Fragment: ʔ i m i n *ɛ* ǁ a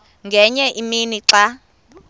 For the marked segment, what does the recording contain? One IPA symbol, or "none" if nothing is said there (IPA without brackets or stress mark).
i